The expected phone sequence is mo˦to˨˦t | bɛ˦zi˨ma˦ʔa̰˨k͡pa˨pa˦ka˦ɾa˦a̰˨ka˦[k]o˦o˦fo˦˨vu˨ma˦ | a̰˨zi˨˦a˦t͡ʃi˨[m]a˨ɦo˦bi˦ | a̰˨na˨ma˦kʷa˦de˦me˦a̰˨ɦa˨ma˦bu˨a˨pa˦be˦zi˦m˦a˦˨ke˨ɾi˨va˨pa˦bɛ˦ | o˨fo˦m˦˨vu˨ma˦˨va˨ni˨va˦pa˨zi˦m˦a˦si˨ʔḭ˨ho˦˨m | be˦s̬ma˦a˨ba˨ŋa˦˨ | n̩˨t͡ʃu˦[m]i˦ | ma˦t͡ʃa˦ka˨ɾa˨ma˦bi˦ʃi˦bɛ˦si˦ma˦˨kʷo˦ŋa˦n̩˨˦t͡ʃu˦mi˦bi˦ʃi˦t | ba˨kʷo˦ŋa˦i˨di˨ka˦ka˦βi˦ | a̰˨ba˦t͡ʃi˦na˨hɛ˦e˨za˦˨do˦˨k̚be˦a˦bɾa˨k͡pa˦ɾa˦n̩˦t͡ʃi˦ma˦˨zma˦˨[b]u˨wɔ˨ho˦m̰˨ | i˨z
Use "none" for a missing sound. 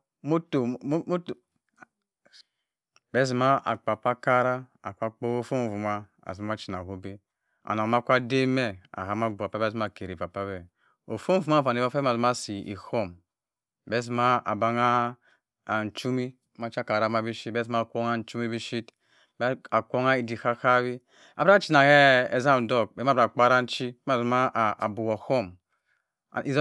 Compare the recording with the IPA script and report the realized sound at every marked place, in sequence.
k͡p, n, m, b

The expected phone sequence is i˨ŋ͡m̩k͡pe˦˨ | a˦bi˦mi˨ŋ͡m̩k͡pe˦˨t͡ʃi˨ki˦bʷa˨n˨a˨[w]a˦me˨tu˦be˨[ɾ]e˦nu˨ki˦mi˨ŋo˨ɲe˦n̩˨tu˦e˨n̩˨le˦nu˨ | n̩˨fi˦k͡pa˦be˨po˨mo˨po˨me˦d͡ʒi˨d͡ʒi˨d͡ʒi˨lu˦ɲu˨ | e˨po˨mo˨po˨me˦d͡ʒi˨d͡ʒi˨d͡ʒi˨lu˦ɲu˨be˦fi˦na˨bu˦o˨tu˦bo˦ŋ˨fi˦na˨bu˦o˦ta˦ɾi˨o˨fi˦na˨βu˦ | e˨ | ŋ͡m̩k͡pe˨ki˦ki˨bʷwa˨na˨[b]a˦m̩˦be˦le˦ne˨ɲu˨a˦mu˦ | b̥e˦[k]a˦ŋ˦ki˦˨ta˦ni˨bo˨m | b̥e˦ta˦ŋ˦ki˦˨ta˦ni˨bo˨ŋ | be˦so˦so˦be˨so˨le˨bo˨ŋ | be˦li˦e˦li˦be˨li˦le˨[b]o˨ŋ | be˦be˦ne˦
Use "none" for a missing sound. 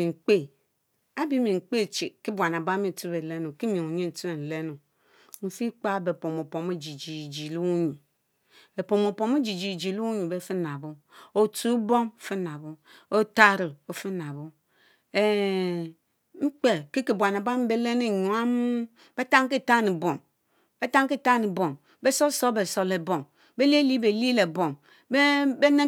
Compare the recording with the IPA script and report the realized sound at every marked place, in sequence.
b, l, b, t, b

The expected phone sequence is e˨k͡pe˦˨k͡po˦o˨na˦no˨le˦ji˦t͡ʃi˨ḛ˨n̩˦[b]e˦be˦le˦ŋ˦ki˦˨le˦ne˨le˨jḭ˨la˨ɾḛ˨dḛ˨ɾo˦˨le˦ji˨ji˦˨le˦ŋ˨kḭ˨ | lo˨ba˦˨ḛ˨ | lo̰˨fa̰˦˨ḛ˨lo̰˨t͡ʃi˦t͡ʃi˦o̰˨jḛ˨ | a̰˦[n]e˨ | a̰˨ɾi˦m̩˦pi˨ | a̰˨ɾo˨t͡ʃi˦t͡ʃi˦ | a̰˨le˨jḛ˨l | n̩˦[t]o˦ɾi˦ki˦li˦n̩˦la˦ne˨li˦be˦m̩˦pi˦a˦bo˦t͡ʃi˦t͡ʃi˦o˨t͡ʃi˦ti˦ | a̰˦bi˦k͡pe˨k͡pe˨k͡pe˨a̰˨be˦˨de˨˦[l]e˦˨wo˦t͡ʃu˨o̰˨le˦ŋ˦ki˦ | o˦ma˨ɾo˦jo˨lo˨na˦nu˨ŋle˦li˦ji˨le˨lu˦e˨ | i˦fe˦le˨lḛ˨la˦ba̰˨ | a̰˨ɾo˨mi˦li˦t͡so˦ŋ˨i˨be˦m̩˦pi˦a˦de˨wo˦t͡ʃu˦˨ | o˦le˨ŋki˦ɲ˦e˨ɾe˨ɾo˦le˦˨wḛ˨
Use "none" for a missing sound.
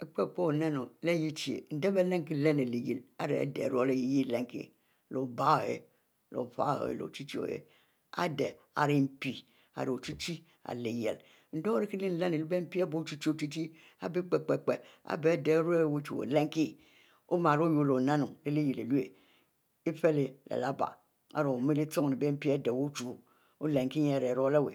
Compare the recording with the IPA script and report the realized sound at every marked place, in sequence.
d, d, d, ɾ

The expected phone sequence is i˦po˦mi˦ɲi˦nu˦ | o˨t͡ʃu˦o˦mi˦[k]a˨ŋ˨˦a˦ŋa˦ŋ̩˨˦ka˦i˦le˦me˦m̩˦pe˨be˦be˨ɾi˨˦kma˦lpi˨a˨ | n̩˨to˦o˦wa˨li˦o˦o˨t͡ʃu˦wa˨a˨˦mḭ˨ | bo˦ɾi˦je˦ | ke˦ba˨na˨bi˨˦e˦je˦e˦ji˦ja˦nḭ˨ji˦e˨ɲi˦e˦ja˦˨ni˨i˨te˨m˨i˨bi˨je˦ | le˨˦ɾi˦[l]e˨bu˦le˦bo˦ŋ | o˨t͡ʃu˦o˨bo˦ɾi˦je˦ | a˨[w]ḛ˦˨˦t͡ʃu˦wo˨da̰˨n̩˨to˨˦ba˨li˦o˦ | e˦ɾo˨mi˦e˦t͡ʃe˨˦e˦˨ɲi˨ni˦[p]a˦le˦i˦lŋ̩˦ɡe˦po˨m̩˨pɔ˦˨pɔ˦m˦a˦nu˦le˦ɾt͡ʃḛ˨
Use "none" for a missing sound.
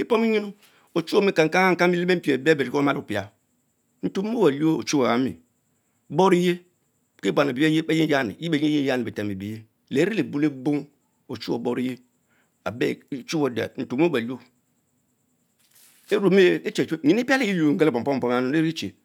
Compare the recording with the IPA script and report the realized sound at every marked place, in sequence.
k, l, b, p

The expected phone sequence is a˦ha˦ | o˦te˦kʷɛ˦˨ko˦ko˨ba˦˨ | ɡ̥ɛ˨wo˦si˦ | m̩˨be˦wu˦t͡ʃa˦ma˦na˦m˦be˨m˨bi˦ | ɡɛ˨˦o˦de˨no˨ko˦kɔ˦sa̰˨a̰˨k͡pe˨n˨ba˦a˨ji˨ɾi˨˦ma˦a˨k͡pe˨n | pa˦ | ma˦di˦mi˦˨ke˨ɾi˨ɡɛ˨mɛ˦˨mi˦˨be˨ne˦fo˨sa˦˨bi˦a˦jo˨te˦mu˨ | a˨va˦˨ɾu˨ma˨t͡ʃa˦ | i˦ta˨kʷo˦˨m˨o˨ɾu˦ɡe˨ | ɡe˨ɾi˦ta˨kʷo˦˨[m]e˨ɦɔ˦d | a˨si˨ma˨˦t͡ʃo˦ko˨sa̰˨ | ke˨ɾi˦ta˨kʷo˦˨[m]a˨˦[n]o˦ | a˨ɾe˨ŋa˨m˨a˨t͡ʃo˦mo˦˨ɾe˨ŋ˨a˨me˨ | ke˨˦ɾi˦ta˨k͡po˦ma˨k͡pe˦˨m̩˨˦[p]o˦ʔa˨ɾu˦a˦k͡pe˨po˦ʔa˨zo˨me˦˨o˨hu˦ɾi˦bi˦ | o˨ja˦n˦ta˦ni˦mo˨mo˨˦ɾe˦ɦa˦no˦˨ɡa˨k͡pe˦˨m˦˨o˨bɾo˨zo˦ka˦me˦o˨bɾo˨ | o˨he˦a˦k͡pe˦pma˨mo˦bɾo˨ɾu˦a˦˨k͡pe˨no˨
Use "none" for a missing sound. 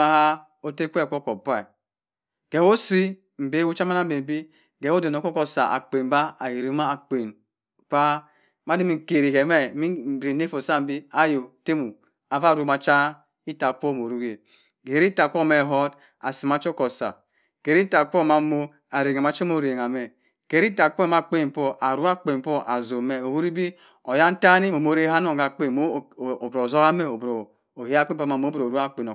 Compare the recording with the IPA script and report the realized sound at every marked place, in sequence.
m, m, m, p

